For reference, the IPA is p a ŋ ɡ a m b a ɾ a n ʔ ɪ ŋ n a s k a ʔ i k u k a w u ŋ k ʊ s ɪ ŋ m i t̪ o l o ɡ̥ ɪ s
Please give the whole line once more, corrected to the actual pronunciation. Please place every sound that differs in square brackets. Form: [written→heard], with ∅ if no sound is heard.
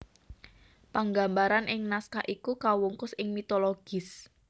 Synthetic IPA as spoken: p a ŋ ɡ a m b a ɾ a n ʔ ɪ ŋ n a s k a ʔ i k u k a w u ŋ k ʊ s ɪ ŋ m i t̪ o l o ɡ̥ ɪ s